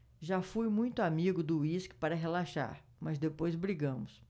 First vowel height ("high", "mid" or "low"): low